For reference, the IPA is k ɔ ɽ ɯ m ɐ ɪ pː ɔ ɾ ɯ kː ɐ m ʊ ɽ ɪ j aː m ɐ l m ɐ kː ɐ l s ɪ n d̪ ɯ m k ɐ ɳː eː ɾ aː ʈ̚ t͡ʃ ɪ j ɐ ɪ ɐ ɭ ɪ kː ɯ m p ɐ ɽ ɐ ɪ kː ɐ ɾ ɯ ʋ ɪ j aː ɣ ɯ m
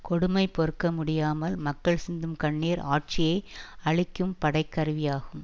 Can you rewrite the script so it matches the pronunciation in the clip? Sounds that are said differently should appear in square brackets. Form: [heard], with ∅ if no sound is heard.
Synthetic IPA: k ɔ ɽ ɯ m ɐ ɪ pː ɔ ɾ ɯ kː ɐ m ʊ ɽ ɪ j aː m ɐ l m ɐ kː ɐ [ɭ] s ɪ n d̪ ɯ m k ɐ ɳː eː ɾ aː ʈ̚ t͡ʃ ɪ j ɐ ɪ ɐ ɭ ɪ kː ɯ m p ɐ ɽ ɐ ɪ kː ɐ ɾ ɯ ʋ ɪ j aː ɣ ɯ m